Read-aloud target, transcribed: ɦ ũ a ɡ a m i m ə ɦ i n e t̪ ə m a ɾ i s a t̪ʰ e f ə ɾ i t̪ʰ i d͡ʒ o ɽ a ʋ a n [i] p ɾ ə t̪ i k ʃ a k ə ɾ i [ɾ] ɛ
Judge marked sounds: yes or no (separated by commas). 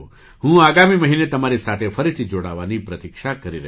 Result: yes, yes